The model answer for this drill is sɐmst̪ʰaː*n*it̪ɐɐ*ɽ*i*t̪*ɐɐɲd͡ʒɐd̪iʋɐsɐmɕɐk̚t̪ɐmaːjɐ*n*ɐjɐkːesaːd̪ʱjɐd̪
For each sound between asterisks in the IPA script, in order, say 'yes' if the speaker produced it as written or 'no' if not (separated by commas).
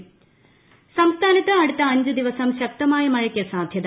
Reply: yes, yes, yes, no